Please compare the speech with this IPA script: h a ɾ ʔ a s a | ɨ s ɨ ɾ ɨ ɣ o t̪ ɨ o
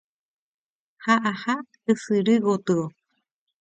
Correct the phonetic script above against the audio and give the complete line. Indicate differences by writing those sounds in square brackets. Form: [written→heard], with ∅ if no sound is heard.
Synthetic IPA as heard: h a [ɾ→∅] ʔ a [s→h] a | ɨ s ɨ ɾ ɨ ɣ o t̪ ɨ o